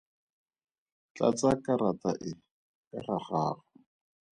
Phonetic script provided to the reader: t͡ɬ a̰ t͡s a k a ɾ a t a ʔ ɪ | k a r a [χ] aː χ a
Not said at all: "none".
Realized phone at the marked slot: χ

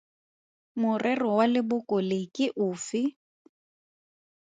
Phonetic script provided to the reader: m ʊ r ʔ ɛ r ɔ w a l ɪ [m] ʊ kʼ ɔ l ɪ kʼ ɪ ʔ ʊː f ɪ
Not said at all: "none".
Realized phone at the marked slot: b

